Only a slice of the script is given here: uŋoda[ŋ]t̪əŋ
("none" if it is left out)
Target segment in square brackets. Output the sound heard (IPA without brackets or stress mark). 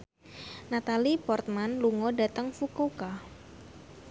none